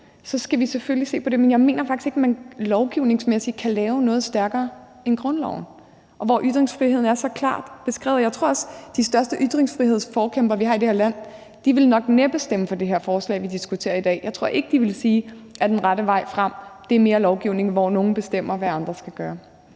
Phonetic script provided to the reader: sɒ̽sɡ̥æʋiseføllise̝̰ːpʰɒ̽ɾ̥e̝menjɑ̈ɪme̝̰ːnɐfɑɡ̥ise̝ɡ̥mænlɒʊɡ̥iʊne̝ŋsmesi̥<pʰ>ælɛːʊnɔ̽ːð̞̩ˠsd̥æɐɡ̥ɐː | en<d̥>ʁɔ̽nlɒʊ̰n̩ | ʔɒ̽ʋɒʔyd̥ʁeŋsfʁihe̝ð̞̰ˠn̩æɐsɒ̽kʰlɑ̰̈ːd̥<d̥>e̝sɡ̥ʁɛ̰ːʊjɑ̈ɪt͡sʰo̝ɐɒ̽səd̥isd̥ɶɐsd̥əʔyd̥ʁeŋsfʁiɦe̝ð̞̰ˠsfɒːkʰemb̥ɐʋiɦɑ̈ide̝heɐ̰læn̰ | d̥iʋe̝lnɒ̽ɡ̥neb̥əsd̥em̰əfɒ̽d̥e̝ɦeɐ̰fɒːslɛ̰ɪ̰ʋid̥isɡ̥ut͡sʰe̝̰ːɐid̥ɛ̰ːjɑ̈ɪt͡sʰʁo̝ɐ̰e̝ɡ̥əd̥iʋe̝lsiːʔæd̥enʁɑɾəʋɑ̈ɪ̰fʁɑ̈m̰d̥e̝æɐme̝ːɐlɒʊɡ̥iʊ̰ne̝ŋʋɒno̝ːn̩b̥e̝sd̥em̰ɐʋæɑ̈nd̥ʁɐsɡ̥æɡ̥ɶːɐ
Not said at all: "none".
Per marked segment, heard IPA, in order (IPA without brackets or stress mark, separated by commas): kʰ, ɡ̥, b̥